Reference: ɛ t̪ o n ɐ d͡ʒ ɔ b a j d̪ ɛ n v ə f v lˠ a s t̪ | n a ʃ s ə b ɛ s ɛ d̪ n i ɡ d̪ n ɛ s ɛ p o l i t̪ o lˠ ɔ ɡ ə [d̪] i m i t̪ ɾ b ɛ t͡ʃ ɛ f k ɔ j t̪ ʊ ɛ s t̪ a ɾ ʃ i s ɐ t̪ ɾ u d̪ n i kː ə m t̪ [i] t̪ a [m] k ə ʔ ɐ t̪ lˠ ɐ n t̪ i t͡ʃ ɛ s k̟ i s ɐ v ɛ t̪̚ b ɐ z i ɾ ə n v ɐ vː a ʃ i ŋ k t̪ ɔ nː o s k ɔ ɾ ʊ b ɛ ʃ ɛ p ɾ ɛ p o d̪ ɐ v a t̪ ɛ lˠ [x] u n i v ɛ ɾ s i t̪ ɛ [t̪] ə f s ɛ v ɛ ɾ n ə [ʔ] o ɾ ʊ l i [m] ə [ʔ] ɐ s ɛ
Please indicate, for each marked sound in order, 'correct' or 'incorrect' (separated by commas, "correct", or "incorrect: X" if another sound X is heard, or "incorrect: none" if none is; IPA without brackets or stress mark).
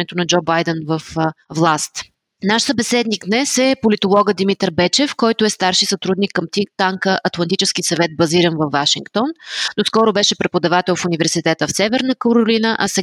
correct, correct, incorrect: ŋ, incorrect: f, correct, incorrect: k, incorrect: n, correct